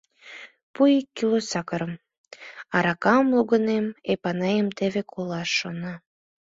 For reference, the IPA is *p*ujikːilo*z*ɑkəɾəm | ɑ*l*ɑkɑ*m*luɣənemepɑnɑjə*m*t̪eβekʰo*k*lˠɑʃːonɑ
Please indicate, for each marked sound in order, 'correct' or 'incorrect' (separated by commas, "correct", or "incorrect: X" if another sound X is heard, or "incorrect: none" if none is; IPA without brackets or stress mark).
correct, incorrect: s, incorrect: ɾ, correct, correct, incorrect: none